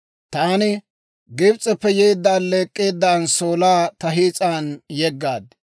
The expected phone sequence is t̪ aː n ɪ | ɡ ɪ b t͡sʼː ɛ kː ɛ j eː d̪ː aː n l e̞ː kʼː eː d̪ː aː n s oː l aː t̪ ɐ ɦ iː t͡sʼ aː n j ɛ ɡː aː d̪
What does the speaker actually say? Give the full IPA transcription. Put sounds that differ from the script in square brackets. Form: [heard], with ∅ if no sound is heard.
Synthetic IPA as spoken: t̪ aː n ɪ | ɡ ɪ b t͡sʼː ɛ [pː] ɛ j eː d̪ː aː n l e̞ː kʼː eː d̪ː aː n s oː l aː t̪ ɐ ɦ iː t͡sʼ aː n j ɛ ɡː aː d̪